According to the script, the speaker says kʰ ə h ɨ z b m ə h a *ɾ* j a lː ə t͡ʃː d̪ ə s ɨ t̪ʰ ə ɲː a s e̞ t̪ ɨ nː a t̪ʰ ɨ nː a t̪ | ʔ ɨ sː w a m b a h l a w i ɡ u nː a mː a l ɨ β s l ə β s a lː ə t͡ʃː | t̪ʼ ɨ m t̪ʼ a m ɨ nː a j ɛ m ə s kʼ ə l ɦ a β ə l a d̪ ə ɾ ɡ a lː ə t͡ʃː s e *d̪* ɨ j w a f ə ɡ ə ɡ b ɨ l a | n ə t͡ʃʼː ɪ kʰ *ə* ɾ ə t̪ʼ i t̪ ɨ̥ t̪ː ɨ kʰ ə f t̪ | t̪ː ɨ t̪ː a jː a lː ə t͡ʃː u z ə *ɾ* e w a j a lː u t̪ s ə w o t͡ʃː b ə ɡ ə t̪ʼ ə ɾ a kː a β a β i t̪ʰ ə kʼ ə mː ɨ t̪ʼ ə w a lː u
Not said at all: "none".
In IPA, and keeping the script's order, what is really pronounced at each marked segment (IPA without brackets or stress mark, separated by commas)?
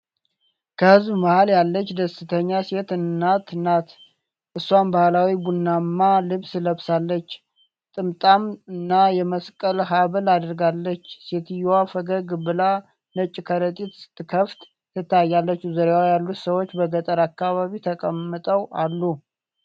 l, t̪, ə, ɾ